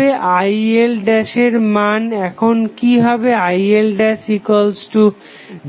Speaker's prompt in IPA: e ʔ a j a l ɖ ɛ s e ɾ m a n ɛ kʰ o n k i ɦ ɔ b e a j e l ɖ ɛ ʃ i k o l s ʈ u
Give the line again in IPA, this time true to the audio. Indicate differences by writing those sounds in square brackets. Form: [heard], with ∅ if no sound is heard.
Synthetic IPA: e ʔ a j [e] l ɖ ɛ [ʃ] e ɾ m a n ɛ kʰ o n k i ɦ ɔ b e a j e l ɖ ɛ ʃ i k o l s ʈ u